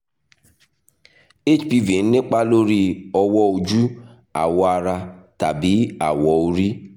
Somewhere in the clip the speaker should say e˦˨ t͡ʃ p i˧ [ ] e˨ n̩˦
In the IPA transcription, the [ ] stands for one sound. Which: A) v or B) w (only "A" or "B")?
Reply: A